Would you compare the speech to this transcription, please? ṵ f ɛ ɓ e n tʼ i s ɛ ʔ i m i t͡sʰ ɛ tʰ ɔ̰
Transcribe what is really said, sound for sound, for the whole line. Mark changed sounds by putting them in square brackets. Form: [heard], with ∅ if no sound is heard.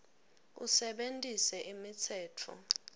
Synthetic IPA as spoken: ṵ [s] ɛ ɓ e n tʼ i s ɛ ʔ i m i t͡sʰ [ɛː] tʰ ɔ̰

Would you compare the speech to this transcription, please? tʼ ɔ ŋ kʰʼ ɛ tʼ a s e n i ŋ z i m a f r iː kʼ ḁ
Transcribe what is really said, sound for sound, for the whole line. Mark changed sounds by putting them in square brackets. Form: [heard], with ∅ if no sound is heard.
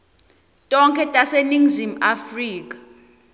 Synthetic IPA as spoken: tʼ ɔ ŋ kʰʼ ɛ tʼ a s e n i ŋ z i m a f r iː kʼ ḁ

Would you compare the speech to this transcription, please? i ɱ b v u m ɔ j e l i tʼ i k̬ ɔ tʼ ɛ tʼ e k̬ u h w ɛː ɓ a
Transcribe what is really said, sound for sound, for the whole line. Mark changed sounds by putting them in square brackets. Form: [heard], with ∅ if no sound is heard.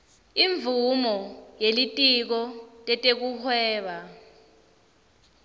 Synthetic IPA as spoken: i ɱ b v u m ɔ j e l i tʼ i k̬ ɔ tʼ ɛ tʼ e k̬ u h w ɛː ɓ a

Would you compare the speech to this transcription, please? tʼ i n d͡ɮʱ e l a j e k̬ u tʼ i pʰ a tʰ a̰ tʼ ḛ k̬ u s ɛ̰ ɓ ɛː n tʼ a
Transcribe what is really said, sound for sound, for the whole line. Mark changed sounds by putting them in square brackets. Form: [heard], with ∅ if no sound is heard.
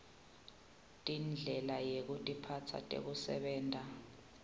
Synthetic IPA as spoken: tʼ i n d͡ɮʱ [ɛ] l a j e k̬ u tʼ i pʰ a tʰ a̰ tʼ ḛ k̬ u s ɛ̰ ɓ ɛː n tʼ a

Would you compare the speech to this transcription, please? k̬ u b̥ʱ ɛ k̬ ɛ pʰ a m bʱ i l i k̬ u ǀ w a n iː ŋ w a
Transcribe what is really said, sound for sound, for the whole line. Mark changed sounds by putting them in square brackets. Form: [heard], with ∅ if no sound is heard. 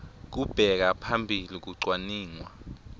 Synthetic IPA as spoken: k̬ u b̥ʱ ɛ k̬ [a] pʰ a m bʱ i l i k̬ u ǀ w a n iː ŋ w a

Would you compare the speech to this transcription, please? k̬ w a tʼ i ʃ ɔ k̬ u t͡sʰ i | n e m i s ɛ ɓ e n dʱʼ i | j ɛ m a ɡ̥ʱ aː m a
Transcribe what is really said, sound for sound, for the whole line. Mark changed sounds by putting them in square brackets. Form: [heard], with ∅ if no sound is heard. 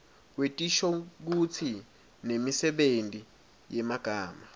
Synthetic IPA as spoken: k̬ w [e] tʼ i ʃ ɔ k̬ u t͡sʰ i | n e m i s ɛ ɓ e n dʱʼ i | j ɛ m a ɡ̥ʱ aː m a

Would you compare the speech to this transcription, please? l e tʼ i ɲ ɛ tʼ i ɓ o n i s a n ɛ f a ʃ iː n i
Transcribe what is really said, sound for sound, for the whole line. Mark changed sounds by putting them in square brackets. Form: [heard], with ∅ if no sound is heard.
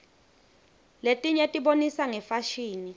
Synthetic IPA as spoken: l e tʼ i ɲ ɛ tʼ i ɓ o n i s a [ŋ] ɛ f a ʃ iː n i

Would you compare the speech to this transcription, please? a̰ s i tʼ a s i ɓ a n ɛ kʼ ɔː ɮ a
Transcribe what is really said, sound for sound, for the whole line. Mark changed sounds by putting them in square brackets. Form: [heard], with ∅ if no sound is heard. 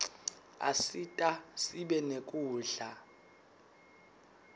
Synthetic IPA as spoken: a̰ s i tʼ a s i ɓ [ɛ] n [e] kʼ [uː] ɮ a

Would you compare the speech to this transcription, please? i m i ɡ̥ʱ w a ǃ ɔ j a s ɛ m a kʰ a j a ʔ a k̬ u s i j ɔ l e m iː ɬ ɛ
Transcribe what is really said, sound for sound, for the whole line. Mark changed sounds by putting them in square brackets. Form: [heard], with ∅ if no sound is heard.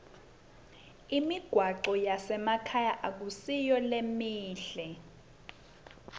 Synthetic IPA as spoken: i m i ɡ̥ʱ w a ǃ ɔ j a s ɛ m a kʰ a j a ʔ a k̬ u s i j ɔ l e m iː ɬ ɛ

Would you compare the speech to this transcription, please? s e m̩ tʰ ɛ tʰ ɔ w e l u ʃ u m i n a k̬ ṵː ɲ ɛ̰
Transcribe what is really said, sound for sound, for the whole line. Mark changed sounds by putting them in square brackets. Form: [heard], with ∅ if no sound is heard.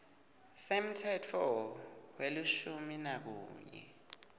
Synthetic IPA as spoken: s e m̩ tʰ ɛ tʰ ɔ w e l u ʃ u m i n a k̬ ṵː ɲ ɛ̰

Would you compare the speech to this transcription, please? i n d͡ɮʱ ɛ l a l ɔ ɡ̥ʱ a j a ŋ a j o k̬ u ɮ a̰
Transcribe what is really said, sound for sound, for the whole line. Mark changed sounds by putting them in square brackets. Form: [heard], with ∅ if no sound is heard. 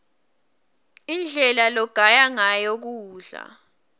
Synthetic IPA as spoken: i n d͡ɮʱ ɛ l a l ɔ ɡ̥ʱ a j a ŋ a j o k̬ [uː] ɮ a̰

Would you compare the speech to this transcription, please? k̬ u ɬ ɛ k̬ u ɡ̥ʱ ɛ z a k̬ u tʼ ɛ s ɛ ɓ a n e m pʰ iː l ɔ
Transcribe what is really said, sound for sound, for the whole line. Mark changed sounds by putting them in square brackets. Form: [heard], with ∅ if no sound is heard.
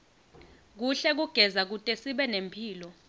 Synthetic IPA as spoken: k̬ u ɬ ɛ k̬ u ɡ̥ʱ ɛ z a k̬ u tʼ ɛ s [i] ɓ [ɛ] n e m pʰ iː l ɔ

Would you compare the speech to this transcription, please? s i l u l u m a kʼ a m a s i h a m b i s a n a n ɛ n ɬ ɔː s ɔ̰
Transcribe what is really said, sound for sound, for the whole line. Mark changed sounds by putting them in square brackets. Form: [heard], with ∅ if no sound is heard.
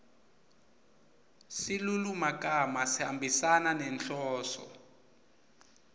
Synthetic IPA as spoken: s i l u l u m a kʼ a m a s i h a m b i s a n a n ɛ n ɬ ɔː s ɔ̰

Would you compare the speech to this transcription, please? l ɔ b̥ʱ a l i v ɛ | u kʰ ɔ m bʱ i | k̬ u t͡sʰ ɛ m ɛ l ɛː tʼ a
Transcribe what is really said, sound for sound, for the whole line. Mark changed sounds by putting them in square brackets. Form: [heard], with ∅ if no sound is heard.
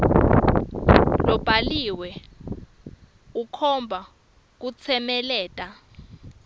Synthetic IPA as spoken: l ɔ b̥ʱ a l i [w] ɛ | u kʰ ɔ m bʱ [a] | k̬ u t͡sʰ ɛ m ɛ l ɛː tʼ a

